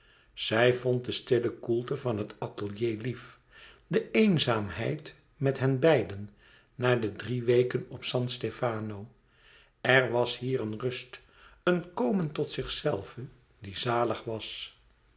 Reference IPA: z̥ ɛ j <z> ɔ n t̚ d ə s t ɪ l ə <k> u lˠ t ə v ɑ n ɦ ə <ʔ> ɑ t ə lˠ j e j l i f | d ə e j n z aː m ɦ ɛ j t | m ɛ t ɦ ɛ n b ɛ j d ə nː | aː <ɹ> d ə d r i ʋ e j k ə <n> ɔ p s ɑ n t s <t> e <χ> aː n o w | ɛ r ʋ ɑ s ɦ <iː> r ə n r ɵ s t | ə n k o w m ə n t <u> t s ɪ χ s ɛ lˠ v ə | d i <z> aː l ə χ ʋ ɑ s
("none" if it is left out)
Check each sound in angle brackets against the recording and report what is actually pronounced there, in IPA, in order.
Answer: v, k, t, ɹ, n, t, f, iː, ɔ, z

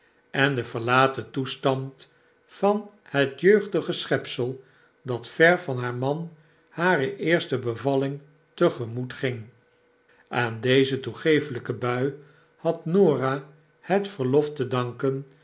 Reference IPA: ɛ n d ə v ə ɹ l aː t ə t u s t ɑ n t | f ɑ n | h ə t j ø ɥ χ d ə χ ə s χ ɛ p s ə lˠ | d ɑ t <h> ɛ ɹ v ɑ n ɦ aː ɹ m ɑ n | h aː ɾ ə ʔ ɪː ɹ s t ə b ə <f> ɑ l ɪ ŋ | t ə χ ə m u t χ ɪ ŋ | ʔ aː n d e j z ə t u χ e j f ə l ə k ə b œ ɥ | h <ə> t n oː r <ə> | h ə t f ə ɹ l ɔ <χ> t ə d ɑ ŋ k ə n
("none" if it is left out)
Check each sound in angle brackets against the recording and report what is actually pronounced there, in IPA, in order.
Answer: f, v, ɑ, a, f

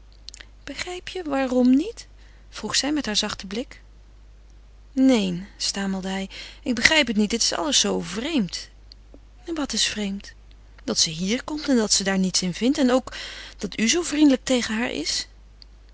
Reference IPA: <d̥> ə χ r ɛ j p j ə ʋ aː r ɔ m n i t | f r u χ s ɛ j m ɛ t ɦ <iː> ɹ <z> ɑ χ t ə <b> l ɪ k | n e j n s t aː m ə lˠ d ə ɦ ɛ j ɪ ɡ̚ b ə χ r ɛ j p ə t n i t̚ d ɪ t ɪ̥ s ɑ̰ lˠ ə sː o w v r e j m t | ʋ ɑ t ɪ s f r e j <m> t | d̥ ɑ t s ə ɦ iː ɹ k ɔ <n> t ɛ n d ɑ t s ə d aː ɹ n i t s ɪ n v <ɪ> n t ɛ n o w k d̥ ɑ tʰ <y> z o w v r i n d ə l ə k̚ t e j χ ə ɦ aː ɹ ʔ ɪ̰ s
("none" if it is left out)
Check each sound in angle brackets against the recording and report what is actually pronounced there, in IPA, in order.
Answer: b̥, aː, z, b, m, m, ɪ, y

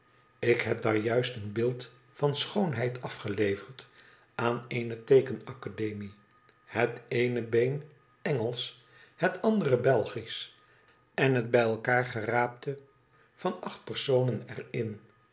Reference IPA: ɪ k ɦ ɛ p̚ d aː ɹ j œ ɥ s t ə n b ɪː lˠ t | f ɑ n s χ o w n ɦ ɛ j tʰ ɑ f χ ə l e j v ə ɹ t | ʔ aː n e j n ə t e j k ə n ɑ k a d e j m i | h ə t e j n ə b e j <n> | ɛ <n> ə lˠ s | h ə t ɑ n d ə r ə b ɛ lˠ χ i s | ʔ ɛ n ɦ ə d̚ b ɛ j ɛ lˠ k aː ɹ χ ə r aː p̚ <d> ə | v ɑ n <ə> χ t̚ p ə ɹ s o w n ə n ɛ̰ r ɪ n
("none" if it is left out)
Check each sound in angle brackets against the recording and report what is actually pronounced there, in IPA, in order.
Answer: n, ŋ, t, ɑ

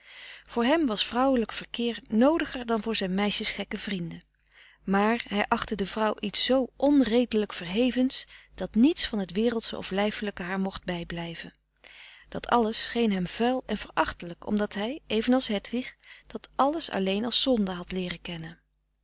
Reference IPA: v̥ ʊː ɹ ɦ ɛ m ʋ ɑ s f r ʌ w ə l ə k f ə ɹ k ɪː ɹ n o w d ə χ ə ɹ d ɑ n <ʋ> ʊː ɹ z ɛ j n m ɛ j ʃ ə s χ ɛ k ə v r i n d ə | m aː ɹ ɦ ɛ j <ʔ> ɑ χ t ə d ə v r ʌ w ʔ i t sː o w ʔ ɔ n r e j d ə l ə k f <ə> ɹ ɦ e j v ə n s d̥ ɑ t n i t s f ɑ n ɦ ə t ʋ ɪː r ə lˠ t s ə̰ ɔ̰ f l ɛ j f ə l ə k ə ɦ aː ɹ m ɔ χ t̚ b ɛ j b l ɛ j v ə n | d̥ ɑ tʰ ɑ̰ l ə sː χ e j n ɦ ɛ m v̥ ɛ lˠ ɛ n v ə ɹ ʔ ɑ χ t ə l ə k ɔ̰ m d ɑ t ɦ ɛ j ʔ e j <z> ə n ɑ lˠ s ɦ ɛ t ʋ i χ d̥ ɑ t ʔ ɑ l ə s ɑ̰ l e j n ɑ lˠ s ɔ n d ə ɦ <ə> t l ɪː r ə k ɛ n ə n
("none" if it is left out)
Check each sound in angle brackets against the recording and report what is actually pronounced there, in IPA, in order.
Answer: v, ʔ, ə, v, ɑ

